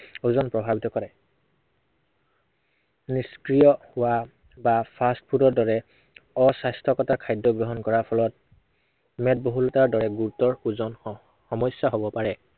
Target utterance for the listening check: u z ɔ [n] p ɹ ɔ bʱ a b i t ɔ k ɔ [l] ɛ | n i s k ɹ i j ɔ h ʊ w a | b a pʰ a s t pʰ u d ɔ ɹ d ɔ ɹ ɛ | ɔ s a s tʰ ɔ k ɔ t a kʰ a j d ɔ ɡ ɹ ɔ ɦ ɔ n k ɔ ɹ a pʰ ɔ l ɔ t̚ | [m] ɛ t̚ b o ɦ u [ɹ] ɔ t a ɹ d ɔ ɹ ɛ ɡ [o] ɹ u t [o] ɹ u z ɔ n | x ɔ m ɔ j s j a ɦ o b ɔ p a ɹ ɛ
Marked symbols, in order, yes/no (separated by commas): yes, no, yes, no, no, no